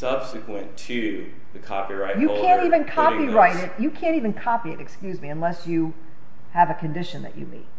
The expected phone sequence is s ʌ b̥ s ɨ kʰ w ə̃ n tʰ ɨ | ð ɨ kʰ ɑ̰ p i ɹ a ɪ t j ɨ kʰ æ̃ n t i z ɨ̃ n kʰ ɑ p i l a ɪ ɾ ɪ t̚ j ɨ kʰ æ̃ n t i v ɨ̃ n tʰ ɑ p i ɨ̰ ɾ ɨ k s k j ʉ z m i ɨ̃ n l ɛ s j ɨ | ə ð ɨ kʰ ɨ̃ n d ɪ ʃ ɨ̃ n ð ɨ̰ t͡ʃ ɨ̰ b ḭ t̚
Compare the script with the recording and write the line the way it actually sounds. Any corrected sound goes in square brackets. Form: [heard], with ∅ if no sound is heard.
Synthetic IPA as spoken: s ʌ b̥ s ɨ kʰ w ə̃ n tʰ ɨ | ð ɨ kʰ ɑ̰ p i ɹ a ɪ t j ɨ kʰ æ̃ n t i [v] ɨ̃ n kʰ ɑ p i [ɹ] a ɪ ɾ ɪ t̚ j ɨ kʰ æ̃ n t i v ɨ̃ n [kʰ] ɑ p i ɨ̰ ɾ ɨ k s k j ʉ z m i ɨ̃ n l ɛ s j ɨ | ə [v] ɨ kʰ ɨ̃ n d ɪ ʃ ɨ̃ n ð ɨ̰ t͡ʃ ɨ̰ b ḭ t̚